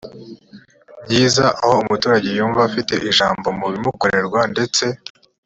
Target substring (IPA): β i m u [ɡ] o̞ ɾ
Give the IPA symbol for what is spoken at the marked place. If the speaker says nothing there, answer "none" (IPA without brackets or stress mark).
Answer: k